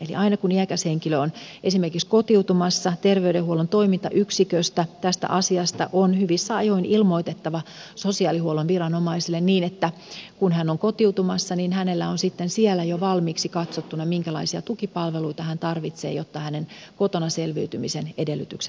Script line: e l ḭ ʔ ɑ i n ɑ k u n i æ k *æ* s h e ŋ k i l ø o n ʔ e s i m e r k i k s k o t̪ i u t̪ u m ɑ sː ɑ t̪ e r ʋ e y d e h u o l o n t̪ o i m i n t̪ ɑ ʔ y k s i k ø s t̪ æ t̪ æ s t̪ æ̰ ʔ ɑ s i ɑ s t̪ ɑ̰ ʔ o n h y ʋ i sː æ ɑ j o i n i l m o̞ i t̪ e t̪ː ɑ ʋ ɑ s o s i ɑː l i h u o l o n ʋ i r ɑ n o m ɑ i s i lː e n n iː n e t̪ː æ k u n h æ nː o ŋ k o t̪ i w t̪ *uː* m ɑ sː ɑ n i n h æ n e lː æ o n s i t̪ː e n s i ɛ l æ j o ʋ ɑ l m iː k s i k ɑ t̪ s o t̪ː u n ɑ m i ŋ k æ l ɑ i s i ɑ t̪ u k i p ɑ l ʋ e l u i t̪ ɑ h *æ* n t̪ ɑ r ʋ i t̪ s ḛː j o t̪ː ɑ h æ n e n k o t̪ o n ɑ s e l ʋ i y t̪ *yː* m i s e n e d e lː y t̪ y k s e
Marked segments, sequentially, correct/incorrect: correct, incorrect, correct, incorrect

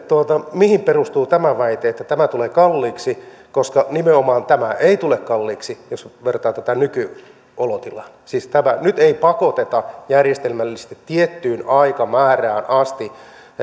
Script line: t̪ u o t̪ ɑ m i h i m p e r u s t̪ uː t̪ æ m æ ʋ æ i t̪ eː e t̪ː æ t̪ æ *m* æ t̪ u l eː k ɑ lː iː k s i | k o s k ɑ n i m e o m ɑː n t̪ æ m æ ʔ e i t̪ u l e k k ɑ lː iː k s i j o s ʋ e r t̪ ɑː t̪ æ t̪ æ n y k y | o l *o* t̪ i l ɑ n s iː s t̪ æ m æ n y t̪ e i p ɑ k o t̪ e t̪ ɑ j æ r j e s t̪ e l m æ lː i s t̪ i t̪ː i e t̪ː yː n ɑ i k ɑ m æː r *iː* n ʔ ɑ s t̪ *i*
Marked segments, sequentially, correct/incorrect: correct, correct, incorrect, correct

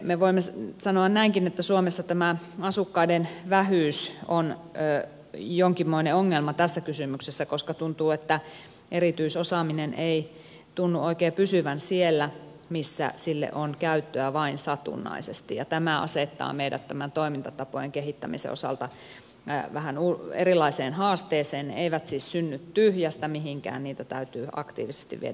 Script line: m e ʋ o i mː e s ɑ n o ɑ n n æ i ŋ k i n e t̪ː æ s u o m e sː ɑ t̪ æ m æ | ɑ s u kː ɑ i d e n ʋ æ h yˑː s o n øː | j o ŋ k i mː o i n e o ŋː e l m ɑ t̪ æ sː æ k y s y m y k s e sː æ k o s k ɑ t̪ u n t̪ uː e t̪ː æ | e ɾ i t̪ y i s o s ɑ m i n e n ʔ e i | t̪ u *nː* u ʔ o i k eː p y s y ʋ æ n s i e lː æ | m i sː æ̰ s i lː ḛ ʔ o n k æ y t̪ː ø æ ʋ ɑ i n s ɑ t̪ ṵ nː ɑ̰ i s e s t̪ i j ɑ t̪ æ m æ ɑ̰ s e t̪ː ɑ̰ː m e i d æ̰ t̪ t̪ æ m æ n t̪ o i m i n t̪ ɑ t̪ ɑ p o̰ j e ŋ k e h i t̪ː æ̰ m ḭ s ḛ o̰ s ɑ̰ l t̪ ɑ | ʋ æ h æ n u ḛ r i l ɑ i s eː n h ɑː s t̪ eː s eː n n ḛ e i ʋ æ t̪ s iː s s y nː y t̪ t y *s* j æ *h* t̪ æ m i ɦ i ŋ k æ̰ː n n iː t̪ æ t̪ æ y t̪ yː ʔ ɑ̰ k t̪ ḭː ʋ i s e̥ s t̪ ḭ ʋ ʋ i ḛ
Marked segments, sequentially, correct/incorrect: correct, incorrect, incorrect

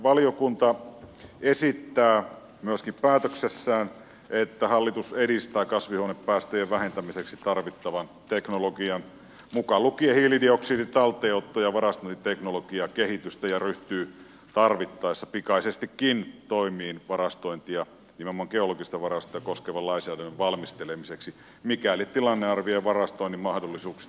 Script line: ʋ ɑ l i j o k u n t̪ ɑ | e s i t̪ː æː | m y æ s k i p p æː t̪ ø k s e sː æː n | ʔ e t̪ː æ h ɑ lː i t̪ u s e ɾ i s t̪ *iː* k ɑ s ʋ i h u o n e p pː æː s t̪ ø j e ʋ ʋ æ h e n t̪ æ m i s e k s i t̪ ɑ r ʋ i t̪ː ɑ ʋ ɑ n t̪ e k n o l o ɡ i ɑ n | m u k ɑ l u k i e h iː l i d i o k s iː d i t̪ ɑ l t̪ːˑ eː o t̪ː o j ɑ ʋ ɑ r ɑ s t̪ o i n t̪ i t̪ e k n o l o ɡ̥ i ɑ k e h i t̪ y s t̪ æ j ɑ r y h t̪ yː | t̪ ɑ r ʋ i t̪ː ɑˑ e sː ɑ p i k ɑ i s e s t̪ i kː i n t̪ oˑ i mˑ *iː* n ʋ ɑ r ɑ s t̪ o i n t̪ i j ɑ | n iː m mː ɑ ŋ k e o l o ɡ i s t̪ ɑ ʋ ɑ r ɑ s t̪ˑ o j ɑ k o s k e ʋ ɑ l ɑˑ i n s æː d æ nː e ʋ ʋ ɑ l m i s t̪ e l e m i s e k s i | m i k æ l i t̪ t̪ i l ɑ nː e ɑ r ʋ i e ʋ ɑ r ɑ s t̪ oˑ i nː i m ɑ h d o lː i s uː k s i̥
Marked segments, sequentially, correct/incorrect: incorrect, correct

